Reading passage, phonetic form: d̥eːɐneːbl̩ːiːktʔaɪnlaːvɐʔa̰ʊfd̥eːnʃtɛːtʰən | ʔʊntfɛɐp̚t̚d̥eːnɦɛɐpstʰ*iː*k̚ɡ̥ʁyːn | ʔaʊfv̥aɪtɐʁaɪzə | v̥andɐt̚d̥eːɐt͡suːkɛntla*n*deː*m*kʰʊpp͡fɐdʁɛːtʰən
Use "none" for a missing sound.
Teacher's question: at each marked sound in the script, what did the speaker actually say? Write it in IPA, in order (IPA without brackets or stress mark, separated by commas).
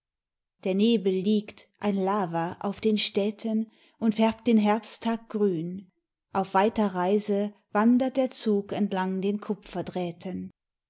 aː, ŋ, n